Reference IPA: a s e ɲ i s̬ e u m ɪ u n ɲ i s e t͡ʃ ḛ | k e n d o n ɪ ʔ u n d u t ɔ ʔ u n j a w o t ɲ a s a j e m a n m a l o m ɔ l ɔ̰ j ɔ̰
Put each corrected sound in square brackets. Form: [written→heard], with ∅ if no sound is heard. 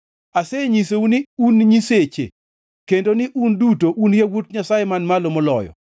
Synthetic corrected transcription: a s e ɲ i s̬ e u [m→n] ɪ u n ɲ i s e t͡ʃ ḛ | k e n d o n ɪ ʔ u n d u t [ɔ→o] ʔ u n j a w o t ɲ a s a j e m a n m a l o m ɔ l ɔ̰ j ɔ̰